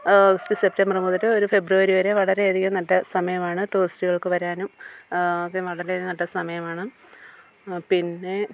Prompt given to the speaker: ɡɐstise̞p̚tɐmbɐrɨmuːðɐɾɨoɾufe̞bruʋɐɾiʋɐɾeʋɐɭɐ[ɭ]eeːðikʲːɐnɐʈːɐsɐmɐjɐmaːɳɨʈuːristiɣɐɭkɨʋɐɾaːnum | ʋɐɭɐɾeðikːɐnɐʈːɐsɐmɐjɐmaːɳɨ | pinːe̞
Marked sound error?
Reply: yes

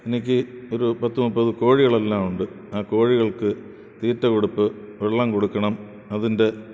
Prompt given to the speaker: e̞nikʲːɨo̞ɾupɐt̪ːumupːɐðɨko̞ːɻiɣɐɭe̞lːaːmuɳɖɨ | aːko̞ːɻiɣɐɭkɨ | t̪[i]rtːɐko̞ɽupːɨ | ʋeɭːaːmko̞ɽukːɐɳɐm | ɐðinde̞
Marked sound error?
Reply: yes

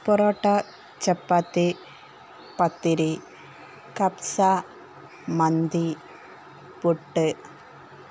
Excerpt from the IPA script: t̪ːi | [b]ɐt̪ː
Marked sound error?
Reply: yes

